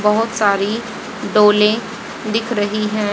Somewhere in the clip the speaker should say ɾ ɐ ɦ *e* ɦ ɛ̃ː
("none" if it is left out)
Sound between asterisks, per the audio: i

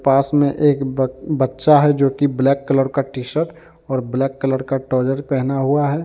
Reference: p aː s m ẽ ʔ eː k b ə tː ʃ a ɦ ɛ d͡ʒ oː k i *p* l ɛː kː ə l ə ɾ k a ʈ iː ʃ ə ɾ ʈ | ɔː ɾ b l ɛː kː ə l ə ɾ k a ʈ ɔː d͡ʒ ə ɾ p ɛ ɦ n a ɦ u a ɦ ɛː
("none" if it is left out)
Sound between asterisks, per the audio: b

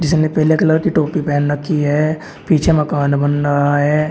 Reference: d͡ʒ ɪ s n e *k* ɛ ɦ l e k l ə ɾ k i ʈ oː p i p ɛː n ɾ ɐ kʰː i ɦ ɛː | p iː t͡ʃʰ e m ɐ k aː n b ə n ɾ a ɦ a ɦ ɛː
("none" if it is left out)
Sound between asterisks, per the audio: p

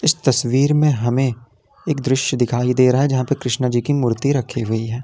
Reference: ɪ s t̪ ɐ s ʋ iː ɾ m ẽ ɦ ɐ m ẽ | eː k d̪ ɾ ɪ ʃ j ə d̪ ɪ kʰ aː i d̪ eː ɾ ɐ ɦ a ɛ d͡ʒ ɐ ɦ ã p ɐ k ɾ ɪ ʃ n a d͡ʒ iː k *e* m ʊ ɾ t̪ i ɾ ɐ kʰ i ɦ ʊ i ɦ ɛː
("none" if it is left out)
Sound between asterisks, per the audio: i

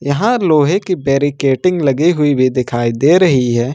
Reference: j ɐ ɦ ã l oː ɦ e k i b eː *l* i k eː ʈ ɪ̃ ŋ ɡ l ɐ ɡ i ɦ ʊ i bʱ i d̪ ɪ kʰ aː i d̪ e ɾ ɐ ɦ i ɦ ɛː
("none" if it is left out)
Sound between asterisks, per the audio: ɾ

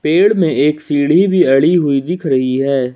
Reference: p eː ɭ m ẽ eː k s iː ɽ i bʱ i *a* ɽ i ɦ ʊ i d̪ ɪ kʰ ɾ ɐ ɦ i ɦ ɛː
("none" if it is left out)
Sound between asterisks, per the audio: ɐ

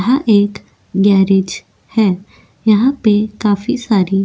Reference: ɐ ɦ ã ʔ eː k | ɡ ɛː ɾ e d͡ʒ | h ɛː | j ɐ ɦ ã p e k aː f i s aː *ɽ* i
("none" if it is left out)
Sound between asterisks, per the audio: ɾ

